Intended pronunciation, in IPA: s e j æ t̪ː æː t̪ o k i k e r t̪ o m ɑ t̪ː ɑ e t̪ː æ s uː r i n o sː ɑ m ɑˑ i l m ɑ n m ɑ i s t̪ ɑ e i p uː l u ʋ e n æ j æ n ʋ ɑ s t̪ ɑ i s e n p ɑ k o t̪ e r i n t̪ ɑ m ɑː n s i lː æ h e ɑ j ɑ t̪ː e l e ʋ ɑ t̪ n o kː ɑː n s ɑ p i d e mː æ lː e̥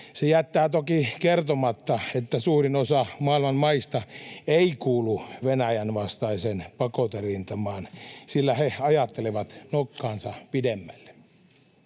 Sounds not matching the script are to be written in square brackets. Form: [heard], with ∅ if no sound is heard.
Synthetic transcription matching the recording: s e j æ t̪ː æː t̪ o k i k e r t̪ o m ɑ t̪ː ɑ e t̪ː æ s uː r i n o [s] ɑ m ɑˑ i l m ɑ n m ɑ i s t̪ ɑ e i [k] uː l u ʋ e n æ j æ n ʋ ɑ s t̪ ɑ i s e n p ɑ k o t̪ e r i n t̪ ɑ m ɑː n s i lː æ h e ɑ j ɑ t̪ː e l e ʋ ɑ t̪ n o kː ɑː n s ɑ p i d e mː æ lː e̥